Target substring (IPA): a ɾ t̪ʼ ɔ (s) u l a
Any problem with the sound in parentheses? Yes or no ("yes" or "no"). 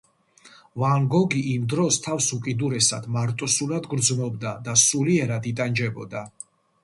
no